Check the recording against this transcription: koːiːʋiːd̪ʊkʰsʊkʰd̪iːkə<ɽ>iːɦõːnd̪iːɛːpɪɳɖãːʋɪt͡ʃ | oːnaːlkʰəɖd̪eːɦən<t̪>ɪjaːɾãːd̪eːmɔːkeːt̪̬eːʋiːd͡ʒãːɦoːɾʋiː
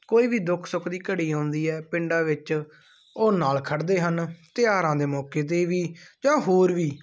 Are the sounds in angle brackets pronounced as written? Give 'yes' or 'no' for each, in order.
yes, yes

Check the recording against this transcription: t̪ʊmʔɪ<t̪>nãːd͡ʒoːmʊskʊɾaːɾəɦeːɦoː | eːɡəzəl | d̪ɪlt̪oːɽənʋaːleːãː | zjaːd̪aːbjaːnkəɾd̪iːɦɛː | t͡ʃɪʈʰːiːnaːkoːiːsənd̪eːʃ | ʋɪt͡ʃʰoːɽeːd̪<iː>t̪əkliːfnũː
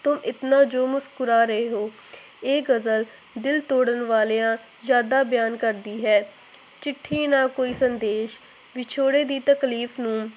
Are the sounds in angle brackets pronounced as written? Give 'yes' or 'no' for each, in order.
yes, yes

